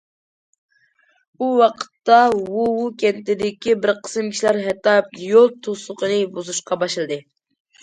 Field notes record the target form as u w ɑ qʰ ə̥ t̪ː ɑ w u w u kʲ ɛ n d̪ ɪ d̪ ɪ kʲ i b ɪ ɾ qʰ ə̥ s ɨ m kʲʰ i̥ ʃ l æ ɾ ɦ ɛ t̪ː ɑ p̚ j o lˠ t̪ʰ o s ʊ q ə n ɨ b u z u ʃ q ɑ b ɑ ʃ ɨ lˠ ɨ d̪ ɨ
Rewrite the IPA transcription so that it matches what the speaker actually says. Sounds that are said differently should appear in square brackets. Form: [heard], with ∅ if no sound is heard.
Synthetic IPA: u w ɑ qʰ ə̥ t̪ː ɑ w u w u kʲ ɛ n [t̪] ɪ d̪ ɪ kʲ i b ɪ ɾ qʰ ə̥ s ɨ m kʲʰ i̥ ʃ l æ ɾ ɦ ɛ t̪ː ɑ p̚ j o lˠ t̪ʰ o s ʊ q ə n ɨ b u z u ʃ q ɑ b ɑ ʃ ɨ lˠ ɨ d̪ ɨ